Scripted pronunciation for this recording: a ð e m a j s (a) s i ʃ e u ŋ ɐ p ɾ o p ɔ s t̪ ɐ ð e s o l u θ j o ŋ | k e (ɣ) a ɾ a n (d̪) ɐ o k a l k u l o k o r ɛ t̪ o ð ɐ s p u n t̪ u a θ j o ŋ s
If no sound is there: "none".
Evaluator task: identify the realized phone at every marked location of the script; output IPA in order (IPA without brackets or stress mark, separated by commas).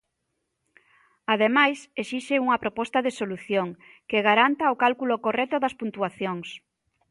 e, ɣ, t̪